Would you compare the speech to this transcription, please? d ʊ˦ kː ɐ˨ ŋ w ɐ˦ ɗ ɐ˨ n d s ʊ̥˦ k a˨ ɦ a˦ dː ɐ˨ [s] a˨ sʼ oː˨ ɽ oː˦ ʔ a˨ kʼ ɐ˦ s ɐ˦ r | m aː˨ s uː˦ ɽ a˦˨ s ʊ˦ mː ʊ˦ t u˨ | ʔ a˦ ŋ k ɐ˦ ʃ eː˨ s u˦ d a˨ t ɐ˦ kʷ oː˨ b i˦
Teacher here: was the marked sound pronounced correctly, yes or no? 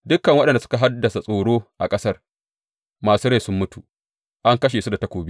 yes